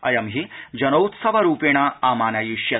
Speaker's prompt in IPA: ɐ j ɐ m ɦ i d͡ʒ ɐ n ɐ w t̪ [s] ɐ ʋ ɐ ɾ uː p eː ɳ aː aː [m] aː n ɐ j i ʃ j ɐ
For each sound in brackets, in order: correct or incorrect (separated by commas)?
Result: correct, correct